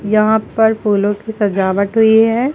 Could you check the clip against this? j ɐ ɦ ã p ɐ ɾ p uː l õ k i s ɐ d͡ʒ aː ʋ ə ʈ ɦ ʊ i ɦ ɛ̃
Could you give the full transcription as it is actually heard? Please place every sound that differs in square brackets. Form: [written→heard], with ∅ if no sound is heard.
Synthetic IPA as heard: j ɐ ɦ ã p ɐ ɾ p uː l õ k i s ɐ d͡ʒ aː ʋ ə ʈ ɦ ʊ i ɦ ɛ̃